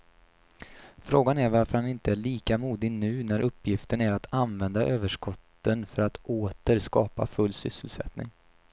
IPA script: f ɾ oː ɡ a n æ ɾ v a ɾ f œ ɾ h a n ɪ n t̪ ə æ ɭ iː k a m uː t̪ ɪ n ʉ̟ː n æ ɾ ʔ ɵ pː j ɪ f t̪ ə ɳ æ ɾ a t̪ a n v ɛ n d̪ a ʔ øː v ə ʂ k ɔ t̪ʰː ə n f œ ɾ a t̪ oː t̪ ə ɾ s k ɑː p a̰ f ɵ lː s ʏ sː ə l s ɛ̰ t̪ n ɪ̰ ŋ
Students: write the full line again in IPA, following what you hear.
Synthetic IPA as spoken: f ɾ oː ɡ a n æ ɾ v a ɾ f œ ɾ h a n ɪ n t̪ ə æ ɭ iː k a m uː d̪ ɪ n ʉ̟ː n æ ɾ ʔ ɵ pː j ɪ f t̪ ə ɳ æ ɾ a t̪ a n v ɛ n d̪ a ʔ øː v ə ʂ k ɔ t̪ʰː ə n f œ ɾ a t̪ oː t̪ ə ɾ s k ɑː p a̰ f ɵ lː s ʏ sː ə l s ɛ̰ t̪ n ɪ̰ ŋ